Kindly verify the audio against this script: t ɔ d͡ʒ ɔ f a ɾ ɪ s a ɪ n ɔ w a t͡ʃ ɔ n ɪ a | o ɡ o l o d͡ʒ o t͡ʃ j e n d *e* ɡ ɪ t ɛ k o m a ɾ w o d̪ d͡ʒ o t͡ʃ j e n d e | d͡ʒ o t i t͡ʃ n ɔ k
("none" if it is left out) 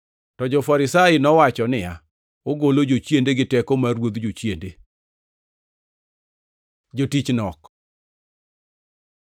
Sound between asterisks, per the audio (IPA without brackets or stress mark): e